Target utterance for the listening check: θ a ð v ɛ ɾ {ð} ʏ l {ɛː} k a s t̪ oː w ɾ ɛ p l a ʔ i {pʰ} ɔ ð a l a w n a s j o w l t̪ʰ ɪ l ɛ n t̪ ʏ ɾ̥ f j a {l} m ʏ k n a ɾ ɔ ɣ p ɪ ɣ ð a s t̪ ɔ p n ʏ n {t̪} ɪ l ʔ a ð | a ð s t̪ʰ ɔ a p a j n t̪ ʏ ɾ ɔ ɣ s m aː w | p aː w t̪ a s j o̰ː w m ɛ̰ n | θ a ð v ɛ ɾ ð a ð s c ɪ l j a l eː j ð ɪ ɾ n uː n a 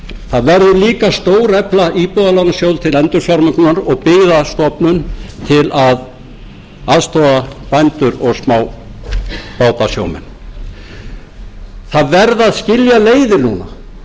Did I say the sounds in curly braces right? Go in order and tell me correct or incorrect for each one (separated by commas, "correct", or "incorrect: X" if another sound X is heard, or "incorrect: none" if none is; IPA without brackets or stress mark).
correct, incorrect: iː, incorrect: p, incorrect: ɾ, incorrect: t̪ʰ